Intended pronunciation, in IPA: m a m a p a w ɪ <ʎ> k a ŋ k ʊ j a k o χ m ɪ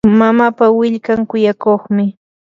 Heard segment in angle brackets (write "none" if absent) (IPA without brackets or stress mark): ʎ